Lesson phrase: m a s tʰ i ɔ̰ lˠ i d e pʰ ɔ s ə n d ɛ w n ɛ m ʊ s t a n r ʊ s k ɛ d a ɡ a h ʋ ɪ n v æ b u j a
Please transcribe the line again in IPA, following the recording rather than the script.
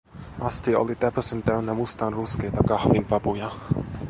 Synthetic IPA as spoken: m a s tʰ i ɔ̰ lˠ i d ɛ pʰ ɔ s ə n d ɛ w n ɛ m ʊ s t a n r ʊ s k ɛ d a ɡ a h v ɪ n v a b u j a